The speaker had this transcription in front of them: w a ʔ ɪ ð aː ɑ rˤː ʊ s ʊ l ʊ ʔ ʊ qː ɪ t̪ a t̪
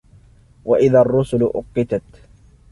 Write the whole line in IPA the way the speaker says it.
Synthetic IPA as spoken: w a ʔ ɪ ð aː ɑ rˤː ʊ s ʊ l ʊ ʔ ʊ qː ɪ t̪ a t̪